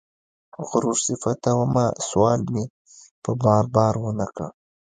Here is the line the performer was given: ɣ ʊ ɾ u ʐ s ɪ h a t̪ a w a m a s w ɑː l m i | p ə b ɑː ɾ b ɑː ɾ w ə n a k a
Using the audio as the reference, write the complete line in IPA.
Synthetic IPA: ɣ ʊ ɾ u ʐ s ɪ f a t̪ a w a m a s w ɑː l m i | p ə b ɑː ɾ b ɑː ɾ w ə n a k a